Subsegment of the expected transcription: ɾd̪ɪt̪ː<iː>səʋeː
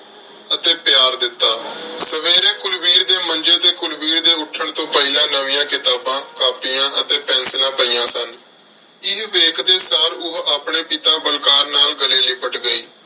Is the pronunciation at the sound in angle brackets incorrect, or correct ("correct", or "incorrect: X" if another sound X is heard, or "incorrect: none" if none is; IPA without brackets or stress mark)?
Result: incorrect: aː